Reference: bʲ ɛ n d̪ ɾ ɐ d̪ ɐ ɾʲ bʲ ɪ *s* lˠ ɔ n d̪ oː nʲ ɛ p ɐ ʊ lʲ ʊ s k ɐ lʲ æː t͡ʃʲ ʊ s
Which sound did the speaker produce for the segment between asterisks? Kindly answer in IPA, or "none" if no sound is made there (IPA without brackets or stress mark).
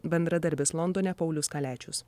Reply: s